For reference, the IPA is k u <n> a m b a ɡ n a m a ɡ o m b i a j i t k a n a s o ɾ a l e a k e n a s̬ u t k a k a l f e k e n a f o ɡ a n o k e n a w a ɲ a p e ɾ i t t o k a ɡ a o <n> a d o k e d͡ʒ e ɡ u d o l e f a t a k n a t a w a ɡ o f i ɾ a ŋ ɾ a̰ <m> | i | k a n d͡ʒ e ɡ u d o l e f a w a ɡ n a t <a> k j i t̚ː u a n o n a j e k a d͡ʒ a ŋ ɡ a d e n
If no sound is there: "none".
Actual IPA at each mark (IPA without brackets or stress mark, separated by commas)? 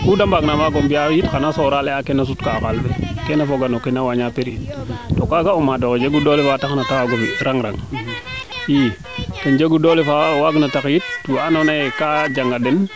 d, m, ŋ, a